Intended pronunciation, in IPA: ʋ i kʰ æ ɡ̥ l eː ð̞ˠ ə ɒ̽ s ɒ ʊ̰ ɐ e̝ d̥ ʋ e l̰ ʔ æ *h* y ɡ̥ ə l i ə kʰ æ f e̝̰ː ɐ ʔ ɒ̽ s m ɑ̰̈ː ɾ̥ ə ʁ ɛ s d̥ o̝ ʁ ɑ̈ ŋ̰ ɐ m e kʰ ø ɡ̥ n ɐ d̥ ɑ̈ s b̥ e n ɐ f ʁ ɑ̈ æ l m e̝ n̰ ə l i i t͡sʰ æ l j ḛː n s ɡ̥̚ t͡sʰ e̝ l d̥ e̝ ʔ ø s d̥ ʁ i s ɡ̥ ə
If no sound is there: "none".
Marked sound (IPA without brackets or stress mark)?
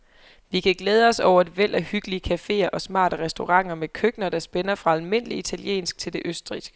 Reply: h